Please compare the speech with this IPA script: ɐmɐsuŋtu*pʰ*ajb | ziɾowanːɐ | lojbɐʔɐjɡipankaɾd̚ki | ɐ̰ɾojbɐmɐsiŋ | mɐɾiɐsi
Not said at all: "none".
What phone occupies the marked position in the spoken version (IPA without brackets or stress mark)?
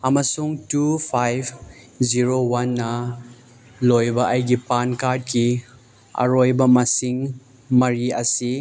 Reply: pʰ